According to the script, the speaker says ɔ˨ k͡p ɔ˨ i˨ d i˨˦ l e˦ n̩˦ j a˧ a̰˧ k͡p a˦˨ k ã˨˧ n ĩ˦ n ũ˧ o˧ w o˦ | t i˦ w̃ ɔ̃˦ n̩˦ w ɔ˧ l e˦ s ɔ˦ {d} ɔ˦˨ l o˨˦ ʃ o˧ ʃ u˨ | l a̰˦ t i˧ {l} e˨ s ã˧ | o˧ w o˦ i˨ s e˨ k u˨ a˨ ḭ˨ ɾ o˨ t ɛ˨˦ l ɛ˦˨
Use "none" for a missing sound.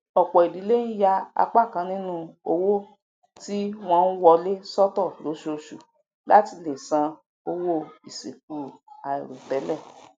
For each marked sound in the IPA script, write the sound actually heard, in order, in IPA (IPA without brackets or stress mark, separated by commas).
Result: t, l